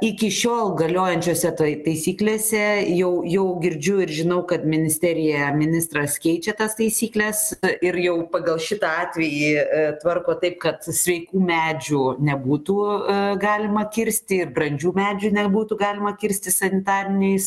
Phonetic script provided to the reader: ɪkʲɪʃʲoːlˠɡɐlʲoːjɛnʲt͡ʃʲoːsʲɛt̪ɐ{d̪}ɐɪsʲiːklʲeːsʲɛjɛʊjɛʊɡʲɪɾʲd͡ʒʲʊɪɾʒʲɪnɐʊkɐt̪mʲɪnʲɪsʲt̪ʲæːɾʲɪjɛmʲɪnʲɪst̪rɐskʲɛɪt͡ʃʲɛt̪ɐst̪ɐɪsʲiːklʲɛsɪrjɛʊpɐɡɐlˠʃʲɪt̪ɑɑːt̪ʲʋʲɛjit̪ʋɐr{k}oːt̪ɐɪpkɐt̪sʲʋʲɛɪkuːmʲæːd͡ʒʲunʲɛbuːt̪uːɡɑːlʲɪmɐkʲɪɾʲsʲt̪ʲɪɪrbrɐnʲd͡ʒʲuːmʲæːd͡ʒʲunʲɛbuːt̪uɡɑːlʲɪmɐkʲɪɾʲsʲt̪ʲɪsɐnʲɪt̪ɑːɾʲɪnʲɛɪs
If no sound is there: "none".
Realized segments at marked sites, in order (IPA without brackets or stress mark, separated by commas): t̪, k